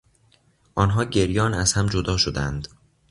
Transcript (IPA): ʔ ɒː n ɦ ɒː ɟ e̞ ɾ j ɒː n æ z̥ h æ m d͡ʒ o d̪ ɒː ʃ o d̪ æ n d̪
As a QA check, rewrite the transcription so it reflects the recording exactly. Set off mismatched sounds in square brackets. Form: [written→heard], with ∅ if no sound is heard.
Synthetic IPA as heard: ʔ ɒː n ɦ ɒː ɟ e̞ ɾ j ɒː n æ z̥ h æ m d͡ʒ o d̪ ɒː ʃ o d̪ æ n d̪

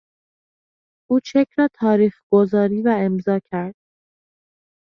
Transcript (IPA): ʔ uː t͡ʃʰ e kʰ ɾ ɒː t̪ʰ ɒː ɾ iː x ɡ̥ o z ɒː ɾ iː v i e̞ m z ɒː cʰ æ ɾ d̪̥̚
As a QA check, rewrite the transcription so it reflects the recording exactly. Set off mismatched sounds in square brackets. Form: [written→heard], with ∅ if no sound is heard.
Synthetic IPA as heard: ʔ uː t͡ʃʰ e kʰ ɾ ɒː t̪ʰ ɒː ɾ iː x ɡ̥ o z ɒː ɾ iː v [i→æ] e̞ m z ɒː cʰ æ ɾ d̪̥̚

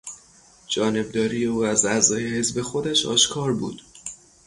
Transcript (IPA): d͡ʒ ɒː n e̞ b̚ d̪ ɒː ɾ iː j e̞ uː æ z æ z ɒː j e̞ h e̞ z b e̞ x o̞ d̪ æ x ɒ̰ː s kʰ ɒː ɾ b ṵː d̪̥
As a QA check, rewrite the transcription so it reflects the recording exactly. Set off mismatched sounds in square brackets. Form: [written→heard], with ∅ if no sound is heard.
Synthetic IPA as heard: d͡ʒ ɒː n e̞ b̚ d̪ ɒː ɾ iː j e̞ uː æ z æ z ɒː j e̞ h e̞ z b e̞ x o̞ d̪ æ [x→ʃ] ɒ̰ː [s→ʃ] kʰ ɒː ɾ b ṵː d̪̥

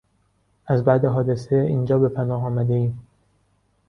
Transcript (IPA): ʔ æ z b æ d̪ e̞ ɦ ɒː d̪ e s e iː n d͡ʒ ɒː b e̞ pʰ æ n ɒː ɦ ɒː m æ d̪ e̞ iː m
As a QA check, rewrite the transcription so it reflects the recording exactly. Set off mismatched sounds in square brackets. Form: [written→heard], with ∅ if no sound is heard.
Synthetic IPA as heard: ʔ æ z b æ d̪ e̞ ɦ ɒː d̪ e s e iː n d͡ʒ ɒː b e̞ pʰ æ n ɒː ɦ ɒː m æ d̪ e̞ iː m

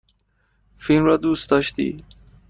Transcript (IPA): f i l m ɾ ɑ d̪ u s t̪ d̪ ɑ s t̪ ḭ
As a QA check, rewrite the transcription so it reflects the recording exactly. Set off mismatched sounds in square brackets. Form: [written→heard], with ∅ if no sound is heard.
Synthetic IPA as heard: f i l m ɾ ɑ d̪ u s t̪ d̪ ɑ [s→ʃ] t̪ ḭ

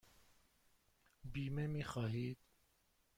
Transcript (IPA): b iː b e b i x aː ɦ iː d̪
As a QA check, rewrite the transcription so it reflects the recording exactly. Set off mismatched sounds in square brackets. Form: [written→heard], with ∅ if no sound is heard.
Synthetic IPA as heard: b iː [b→m] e [b→m] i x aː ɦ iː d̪

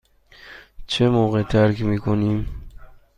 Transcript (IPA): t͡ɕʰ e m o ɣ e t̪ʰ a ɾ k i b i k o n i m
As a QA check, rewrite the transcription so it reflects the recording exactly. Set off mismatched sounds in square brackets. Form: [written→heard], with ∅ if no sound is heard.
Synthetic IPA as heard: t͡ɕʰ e m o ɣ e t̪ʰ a ɾ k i [b→m] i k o n i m

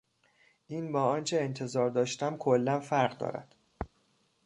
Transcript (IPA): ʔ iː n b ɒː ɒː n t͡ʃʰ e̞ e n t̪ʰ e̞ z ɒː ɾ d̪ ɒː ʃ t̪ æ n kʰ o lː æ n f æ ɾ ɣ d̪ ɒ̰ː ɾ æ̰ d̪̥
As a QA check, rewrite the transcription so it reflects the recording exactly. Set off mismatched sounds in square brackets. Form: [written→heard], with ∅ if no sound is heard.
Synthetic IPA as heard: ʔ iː n b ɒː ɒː n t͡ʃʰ e̞ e n t̪ʰ e̞ z ɒː ɾ d̪ ɒː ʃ t̪ æ [n→m] kʰ o lː æ n f æ ɾ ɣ d̪ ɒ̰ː ɾ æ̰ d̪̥

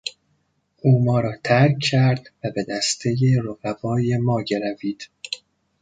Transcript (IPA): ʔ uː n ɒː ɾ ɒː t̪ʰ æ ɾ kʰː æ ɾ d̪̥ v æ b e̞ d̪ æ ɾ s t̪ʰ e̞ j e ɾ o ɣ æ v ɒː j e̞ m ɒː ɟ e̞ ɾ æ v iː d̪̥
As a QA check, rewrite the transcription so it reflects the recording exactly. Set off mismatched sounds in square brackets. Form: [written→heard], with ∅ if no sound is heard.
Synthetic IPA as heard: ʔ uː [n→m] ɒː ɾ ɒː t̪ʰ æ ɾ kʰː æ ɾ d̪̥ v æ b e̞ d̪ æ [ɾ→∅] s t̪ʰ e̞ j e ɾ o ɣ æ v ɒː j e̞ m ɒː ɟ e̞ ɾ æ v iː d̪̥

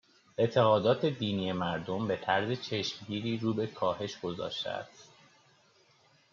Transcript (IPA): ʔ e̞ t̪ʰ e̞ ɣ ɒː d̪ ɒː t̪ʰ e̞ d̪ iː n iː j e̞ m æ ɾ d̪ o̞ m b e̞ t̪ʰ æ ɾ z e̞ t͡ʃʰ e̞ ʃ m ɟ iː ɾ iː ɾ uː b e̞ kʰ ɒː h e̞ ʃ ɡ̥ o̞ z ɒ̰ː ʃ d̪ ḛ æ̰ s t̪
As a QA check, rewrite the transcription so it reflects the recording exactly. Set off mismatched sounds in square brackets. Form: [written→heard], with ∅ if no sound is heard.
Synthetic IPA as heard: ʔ e̞ t̪ʰ e̞ ɣ ɒː d̪ ɒː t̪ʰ e̞ d̪ iː n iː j e̞ m æ ɾ d̪ o̞ m b e̞ t̪ʰ æ ɾ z e̞ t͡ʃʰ e̞ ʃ m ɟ iː ɾ iː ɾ uː b e̞ kʰ ɒː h e̞ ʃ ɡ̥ o̞ z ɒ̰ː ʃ [d̪→t̪] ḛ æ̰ s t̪

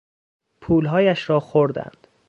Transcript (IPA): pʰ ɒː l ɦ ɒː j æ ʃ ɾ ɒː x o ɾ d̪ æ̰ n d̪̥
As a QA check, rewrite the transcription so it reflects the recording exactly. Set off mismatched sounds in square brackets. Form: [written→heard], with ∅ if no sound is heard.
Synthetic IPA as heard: pʰ [ɒː→uː] l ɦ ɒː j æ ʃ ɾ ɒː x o ɾ d̪ æ̰ n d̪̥

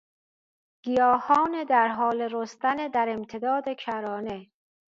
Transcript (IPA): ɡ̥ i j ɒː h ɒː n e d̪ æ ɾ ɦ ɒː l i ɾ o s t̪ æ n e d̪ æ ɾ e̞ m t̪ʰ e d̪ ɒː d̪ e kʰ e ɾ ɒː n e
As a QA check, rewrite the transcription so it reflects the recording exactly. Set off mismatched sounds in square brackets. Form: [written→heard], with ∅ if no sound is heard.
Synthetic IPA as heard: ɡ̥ i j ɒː h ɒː n e d̪ æ ɾ ɦ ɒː l [i→e] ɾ o s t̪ æ n e d̪ æ ɾ e̞ m t̪ʰ e d̪ ɒː d̪ e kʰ [e→æ] ɾ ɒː n e

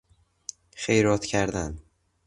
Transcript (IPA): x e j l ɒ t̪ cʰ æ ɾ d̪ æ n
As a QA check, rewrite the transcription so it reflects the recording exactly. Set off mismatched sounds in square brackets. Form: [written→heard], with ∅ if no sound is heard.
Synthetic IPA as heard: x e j [l→ɾ] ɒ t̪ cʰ æ ɾ d̪ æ n

